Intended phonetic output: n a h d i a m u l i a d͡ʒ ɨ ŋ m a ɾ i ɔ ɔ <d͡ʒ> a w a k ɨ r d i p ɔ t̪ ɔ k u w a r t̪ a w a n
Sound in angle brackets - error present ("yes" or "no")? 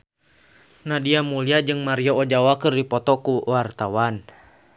no